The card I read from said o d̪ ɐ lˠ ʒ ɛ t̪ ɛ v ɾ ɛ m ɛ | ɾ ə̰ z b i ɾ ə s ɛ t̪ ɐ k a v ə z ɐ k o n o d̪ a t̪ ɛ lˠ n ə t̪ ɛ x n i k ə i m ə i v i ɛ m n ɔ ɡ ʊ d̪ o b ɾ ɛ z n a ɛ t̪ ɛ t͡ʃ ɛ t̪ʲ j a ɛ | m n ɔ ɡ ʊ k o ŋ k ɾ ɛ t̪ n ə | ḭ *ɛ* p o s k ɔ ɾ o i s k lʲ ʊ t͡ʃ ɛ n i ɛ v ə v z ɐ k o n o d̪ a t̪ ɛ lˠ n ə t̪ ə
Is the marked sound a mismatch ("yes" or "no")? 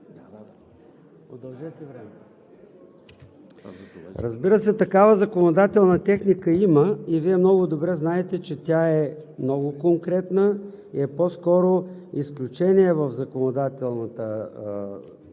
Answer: no